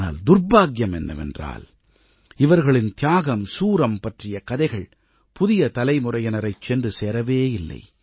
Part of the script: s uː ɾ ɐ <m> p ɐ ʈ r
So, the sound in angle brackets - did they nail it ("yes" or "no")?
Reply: yes